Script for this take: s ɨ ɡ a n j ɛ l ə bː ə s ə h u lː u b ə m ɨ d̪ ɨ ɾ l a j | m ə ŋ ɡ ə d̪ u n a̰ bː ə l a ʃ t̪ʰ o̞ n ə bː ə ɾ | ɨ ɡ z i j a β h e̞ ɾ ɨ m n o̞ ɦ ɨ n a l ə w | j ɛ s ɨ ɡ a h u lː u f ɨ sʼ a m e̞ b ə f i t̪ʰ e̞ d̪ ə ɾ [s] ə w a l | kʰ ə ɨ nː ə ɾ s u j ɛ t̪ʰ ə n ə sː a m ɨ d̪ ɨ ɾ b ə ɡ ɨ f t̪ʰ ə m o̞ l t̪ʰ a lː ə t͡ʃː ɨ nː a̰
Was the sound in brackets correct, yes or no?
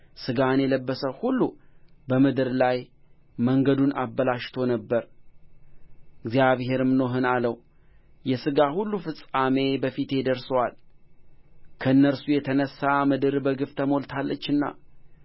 yes